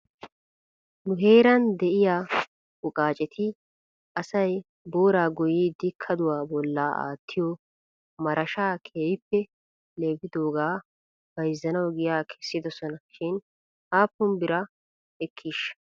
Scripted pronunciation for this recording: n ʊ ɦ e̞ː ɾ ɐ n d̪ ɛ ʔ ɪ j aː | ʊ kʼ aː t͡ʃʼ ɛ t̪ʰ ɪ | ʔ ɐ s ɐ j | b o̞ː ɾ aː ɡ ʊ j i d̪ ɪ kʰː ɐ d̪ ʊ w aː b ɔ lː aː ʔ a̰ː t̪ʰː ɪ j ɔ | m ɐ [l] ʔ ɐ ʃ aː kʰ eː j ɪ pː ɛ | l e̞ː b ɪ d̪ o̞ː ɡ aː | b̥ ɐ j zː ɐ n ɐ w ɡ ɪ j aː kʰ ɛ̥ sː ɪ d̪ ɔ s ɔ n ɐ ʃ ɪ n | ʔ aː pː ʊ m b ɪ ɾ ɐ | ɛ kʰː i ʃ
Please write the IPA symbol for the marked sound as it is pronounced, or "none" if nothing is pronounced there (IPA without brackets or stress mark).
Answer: ɾ